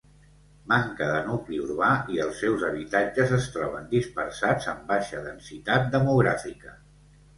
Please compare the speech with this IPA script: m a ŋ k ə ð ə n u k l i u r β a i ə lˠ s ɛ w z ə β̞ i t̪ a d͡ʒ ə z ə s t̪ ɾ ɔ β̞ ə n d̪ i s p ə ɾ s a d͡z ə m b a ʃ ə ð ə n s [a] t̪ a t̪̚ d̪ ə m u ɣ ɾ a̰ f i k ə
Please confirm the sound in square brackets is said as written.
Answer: no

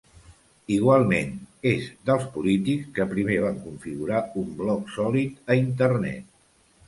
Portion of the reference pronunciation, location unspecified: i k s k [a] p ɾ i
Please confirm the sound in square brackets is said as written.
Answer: no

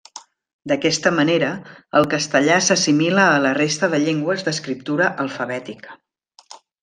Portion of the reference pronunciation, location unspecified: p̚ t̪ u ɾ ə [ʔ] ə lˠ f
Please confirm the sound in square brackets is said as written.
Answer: yes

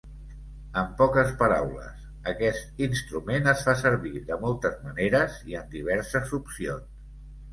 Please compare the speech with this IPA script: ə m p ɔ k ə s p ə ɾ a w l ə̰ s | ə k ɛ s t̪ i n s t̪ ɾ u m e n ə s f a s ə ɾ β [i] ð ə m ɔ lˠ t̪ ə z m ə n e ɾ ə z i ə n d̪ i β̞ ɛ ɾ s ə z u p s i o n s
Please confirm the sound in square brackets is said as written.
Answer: yes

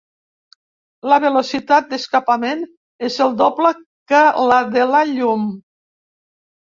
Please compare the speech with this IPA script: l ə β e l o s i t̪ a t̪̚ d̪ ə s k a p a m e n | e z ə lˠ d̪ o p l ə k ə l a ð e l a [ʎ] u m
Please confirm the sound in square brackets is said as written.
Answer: yes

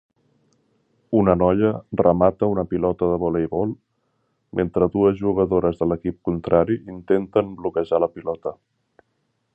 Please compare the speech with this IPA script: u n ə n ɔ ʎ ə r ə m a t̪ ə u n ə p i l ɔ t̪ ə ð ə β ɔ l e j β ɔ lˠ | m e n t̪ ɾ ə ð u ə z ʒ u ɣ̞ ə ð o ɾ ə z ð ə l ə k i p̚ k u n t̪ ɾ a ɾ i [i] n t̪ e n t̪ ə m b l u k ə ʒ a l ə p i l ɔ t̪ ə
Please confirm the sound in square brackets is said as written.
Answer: yes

